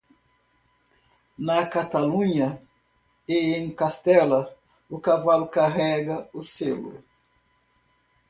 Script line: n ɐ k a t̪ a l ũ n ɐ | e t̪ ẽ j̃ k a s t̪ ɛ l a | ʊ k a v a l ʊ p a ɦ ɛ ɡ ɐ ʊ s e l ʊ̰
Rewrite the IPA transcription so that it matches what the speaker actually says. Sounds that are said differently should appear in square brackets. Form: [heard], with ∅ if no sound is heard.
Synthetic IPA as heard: n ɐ k a t̪ a l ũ [ɲ] ɐ | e [∅] ẽ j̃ k a s t̪ ɛ l [ɐ] | ʊ k a v a l ʊ [k] a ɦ ɛ ɡ ɐ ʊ s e l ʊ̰